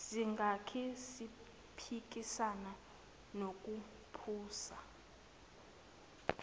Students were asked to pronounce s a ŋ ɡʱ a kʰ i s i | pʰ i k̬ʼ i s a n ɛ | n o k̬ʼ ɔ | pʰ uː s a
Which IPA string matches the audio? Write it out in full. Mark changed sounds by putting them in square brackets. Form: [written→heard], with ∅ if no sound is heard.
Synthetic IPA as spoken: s [a→i] ŋ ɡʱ a kʰ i s i | pʰ i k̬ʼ i s a n [ɛ→a] | n o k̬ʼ [ɔ→u] | pʰ uː s a